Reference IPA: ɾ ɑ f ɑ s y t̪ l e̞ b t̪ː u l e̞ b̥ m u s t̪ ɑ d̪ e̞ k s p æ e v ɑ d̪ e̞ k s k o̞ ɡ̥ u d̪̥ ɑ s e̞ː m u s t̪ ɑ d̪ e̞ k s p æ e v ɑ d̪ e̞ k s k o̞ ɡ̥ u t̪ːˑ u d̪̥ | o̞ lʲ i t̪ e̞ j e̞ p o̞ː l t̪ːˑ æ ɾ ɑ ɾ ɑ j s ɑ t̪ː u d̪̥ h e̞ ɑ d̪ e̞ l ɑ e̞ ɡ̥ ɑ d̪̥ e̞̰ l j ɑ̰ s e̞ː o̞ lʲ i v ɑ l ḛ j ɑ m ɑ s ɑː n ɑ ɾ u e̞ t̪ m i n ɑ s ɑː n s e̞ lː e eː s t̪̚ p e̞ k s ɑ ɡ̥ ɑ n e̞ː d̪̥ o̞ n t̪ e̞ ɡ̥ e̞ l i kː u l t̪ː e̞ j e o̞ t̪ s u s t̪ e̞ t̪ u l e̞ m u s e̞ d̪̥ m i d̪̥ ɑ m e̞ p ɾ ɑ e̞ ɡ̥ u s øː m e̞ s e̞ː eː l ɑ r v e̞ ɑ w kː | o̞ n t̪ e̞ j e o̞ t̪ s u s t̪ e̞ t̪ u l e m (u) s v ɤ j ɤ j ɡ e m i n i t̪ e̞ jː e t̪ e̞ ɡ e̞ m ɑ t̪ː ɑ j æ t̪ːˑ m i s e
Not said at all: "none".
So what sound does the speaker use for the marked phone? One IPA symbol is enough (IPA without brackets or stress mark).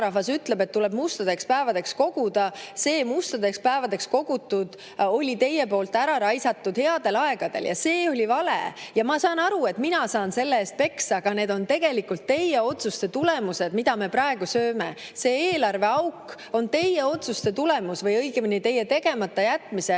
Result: u